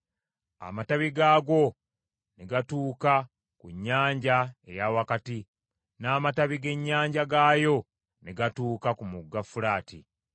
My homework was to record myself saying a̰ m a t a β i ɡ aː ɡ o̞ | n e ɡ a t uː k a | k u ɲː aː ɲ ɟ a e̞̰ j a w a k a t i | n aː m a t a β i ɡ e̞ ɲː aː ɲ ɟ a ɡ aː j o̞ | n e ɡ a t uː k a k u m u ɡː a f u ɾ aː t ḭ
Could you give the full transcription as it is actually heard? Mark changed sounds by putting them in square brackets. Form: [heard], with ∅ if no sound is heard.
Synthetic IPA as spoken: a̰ m a t a β i ɡ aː ɡ o̞ | n e ɡ a t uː k a | k u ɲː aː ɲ ɟ a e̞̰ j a w a k a t i | n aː m a t a β i ɡ e̞ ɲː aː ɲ ɟ a ɡ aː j o̞ | n e ɡ a t uː k a k u m u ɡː a f u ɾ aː t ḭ